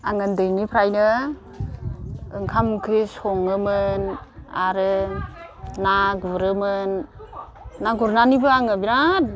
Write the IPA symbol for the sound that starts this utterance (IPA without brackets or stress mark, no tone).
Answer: a